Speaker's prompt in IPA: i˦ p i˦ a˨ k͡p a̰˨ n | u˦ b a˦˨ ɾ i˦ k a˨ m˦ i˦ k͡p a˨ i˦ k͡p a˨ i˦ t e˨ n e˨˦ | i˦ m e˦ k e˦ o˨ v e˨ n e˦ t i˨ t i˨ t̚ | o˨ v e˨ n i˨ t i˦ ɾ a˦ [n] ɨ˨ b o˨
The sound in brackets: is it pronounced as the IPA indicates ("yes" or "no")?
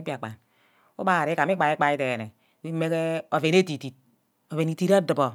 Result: no